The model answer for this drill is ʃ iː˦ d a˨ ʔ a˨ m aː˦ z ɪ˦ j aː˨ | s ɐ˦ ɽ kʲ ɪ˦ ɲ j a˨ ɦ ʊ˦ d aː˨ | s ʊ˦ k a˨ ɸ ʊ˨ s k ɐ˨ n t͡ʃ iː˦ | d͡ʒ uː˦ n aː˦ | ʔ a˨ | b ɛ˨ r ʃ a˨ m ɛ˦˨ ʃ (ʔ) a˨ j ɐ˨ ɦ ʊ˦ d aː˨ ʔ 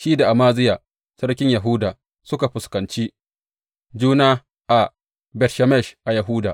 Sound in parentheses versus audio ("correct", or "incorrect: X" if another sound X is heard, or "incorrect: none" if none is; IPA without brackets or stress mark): correct